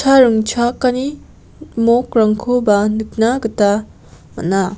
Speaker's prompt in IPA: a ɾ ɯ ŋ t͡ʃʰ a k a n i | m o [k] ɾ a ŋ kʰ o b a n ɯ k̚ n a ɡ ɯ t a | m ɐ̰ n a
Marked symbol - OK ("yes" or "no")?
yes